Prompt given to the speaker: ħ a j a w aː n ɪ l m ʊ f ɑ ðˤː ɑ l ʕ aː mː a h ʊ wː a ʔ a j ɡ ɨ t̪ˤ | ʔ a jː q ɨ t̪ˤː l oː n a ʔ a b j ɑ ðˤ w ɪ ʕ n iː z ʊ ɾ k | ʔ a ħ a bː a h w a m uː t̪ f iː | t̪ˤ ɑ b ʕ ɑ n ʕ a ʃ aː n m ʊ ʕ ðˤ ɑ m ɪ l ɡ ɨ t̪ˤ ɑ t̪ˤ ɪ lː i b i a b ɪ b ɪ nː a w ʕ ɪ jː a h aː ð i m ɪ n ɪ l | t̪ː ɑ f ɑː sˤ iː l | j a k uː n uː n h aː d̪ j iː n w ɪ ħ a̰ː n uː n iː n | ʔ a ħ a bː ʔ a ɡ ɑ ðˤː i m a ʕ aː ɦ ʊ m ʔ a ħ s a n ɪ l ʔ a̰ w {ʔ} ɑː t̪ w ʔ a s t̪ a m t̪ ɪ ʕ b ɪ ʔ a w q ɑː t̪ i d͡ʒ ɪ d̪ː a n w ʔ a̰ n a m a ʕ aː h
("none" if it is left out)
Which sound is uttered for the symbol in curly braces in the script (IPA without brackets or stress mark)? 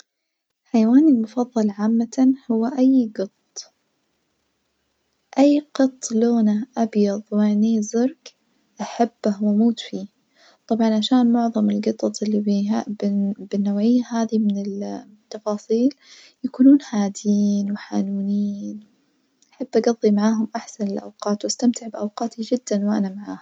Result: q